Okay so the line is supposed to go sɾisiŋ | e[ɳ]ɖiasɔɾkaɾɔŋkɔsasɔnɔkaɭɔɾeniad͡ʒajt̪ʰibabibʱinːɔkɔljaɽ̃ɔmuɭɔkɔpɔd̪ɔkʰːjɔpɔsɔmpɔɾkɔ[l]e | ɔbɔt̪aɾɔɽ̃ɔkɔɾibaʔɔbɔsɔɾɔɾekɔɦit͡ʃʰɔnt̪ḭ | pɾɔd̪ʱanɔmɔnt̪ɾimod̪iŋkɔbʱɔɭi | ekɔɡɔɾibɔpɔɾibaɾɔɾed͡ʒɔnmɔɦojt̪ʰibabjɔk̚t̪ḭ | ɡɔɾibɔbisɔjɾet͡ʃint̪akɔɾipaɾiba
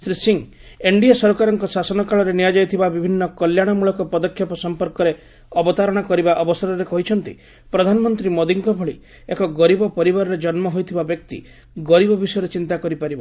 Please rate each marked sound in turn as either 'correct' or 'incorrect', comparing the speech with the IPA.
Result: correct, incorrect: ɾ

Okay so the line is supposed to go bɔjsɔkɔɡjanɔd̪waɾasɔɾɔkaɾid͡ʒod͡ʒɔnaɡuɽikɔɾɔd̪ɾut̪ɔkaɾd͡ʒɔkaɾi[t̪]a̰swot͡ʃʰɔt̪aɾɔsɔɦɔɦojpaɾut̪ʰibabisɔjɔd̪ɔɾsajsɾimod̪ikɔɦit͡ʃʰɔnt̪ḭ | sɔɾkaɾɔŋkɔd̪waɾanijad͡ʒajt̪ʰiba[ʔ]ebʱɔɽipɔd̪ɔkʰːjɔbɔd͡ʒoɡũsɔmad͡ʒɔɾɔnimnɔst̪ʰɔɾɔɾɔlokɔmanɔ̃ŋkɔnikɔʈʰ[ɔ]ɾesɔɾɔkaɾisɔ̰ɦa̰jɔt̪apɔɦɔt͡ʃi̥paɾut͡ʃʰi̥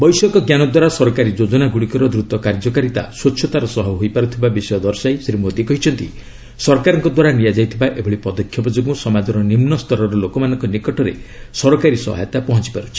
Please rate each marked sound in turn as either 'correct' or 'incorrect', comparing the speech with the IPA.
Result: correct, correct, correct

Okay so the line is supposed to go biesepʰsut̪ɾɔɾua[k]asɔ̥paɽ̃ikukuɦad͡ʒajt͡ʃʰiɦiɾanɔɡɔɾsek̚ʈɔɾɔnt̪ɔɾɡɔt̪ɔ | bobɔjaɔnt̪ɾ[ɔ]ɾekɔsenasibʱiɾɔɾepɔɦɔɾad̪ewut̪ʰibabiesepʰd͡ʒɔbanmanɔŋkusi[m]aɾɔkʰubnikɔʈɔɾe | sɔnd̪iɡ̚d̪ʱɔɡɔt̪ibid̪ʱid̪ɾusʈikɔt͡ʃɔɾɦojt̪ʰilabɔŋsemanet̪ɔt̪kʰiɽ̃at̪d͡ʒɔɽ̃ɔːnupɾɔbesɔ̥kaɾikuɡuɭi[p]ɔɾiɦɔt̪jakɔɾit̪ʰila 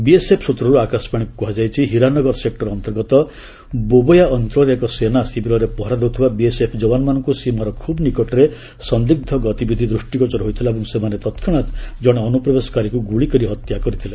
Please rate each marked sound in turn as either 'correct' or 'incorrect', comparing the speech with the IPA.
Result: correct, correct, correct, incorrect: k

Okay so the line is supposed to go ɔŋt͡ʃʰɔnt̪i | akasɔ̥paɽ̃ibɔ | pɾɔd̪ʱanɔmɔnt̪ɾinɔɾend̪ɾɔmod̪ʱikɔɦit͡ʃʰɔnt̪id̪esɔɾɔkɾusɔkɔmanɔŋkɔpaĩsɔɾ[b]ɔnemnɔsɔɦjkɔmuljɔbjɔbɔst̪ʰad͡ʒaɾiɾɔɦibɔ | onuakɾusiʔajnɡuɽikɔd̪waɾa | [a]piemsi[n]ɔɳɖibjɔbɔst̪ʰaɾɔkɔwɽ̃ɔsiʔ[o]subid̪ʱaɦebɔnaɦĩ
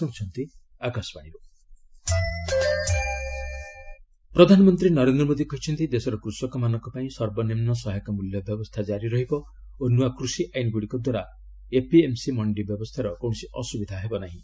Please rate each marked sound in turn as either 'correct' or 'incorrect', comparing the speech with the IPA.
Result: correct, incorrect: e, incorrect: m, incorrect: ɔ

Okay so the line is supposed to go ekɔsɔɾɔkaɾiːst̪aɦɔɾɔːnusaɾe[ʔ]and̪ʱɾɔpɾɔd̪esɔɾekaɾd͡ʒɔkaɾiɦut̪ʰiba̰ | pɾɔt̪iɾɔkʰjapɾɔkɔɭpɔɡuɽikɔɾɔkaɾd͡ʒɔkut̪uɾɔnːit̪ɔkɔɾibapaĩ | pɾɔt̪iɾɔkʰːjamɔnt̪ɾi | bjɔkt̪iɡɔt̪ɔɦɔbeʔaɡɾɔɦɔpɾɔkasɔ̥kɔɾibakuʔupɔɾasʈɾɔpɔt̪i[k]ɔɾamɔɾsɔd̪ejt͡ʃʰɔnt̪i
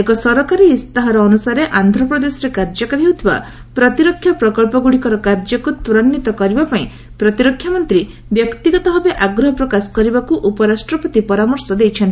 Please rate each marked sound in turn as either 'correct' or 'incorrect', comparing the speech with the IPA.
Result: correct, incorrect: p

